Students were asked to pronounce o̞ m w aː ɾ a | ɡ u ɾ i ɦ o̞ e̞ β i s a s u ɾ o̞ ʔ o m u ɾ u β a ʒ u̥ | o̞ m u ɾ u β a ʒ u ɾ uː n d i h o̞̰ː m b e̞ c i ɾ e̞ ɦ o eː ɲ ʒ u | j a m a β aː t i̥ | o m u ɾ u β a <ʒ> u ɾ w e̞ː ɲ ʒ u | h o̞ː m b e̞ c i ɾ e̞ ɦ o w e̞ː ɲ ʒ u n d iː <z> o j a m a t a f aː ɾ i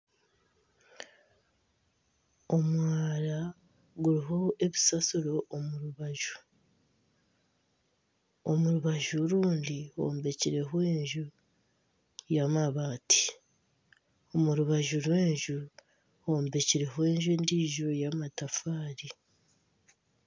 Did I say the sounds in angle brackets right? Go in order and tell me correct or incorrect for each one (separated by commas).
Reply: correct, incorrect